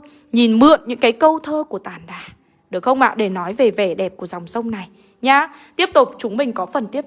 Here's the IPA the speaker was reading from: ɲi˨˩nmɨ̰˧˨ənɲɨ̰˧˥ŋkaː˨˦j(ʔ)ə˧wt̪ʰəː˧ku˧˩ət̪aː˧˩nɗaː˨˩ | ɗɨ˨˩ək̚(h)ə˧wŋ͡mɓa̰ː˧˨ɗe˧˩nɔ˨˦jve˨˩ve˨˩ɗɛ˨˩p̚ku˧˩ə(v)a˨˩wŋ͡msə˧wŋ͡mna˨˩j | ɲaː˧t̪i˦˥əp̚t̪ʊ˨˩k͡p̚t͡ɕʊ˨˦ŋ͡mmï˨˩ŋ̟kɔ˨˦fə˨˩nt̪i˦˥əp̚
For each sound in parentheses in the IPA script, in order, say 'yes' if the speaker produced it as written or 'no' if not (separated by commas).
no, no, no